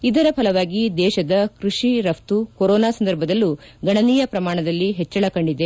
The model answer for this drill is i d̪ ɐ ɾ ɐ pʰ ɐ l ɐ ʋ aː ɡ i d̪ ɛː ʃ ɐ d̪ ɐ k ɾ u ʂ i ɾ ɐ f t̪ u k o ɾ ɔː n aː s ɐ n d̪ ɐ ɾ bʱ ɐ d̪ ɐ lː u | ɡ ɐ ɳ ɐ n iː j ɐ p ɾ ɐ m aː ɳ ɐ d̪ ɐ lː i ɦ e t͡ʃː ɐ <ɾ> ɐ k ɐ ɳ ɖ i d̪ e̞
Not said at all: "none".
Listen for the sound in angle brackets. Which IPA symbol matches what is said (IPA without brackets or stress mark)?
ɭ